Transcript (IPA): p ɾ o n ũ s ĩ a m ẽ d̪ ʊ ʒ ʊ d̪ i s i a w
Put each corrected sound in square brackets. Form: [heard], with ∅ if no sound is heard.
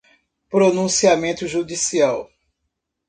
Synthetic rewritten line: p ɾ o n ũ s [i] a m ẽ [t̪] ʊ ʒ [u] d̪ i s i a w